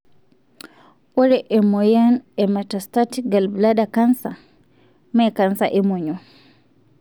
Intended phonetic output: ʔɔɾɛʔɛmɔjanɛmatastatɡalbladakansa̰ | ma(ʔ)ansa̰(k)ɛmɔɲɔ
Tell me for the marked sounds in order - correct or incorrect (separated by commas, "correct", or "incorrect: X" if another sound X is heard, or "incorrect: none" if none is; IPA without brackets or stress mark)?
incorrect: k, incorrect: ʔ